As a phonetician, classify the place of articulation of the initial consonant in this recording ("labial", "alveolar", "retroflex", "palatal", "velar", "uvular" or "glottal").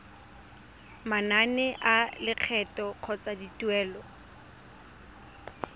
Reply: labial